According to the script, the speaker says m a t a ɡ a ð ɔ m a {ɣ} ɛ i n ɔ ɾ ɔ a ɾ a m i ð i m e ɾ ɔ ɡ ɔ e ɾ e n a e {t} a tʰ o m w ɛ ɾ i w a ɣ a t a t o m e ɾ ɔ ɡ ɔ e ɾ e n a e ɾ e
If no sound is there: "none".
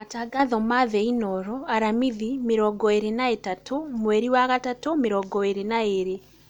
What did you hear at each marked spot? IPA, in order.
ð, t

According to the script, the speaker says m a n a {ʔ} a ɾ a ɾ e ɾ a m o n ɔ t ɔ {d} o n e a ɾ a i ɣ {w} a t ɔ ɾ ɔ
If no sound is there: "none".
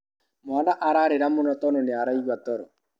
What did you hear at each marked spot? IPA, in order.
ʔ, n, w

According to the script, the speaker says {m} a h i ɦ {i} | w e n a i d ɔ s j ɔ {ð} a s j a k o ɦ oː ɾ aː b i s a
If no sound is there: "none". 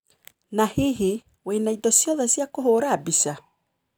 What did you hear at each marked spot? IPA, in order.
n, i, ð

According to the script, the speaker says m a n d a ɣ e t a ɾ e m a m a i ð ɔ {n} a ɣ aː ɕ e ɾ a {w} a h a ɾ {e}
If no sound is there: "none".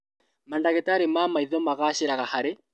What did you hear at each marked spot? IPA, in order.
m, ɣ, e

